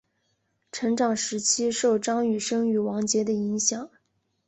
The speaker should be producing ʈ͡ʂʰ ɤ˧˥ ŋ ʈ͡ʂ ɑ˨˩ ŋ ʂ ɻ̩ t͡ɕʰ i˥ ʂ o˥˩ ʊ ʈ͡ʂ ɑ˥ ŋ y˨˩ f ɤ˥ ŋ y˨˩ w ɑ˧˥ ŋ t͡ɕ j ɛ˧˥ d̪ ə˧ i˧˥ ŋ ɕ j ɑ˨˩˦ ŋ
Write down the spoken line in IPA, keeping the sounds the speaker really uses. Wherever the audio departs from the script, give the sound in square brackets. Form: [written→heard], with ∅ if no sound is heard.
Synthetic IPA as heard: ʈ͡ʂʰ ɤ˧˥ ŋ ʈ͡ʂ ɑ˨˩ ŋ ʂ ɻ̩ t͡ɕʰ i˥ ʂ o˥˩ ʊ ʈ͡ʂ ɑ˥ ŋ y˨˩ [f→ʂ] ɤ˥ ŋ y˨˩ w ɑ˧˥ ŋ t͡ɕ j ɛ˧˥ d̪ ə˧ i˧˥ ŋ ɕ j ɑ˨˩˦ ŋ